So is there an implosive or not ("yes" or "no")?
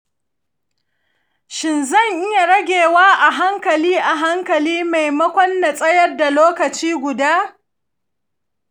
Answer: no